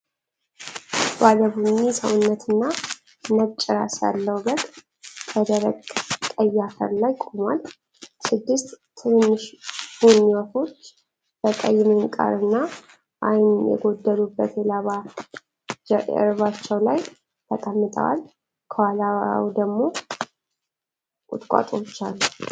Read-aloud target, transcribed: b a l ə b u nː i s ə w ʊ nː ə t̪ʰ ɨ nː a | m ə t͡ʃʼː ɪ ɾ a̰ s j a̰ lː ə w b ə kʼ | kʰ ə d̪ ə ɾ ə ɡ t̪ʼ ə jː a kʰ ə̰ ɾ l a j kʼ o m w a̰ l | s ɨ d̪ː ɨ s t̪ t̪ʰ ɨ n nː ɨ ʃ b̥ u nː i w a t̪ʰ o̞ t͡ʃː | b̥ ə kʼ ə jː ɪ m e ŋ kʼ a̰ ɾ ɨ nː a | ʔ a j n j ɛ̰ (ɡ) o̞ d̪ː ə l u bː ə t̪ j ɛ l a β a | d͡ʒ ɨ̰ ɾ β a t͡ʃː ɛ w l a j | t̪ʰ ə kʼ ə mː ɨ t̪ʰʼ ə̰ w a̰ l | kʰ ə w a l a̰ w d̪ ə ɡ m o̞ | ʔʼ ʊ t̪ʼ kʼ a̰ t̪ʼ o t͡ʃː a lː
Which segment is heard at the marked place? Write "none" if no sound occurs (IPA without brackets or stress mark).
ɡ